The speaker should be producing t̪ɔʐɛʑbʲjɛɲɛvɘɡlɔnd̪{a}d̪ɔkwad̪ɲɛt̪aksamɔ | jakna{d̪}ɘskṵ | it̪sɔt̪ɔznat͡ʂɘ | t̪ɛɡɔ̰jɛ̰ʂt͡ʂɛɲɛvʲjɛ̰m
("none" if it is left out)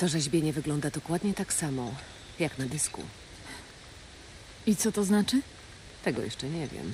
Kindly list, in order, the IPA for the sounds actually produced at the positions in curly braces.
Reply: a, d̪

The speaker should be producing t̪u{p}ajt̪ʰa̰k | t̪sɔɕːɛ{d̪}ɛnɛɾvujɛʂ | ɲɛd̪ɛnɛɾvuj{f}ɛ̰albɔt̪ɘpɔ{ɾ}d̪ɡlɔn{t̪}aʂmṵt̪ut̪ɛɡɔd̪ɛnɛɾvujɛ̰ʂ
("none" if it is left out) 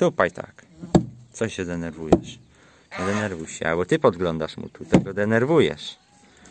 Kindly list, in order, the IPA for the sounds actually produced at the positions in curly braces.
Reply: p, d̪, ɕ, none, d̪

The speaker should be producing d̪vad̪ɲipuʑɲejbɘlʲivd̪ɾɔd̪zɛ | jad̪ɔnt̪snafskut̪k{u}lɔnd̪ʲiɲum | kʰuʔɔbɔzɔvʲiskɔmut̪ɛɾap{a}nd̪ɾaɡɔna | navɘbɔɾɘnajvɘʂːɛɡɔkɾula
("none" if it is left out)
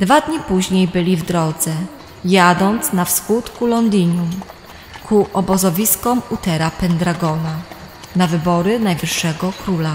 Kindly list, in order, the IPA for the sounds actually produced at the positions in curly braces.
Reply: u, ɛ

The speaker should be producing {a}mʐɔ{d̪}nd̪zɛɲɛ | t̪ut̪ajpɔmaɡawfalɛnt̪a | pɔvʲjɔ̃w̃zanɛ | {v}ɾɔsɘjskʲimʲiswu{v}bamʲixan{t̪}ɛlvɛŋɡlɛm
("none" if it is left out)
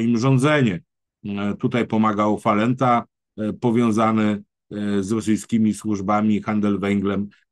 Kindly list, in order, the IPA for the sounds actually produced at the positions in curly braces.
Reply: i, none, z, ʐ, d̪

